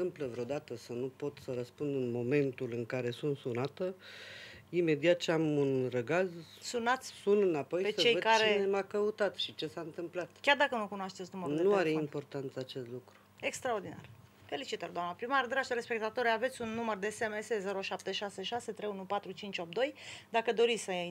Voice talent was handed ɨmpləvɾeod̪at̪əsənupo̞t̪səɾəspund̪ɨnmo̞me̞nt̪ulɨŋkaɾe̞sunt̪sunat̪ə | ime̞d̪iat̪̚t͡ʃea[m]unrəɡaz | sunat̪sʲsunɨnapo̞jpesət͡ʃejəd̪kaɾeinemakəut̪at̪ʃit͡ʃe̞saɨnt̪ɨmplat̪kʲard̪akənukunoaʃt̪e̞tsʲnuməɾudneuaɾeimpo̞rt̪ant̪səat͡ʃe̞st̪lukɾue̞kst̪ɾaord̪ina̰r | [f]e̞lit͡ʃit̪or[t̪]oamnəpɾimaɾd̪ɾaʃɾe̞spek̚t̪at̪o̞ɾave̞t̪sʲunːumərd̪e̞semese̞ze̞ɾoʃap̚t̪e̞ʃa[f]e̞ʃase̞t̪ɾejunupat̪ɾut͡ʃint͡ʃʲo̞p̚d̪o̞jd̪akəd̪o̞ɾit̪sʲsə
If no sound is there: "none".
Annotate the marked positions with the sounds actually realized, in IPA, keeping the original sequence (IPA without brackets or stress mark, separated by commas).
m, f, d̪, s